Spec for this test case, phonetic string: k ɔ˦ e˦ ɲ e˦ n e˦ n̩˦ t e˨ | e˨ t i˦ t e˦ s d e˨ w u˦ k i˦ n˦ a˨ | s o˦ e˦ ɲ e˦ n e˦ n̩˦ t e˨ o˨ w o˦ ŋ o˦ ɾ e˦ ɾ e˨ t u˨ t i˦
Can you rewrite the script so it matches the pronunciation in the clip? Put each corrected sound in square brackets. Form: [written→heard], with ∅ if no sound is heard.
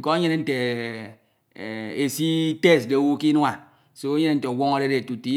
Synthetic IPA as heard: k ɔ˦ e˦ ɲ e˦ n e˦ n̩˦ t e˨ | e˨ [t→s] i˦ t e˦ s d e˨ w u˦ k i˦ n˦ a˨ | s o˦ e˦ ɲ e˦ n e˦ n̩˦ t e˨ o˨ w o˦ ŋ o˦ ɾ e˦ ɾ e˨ t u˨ t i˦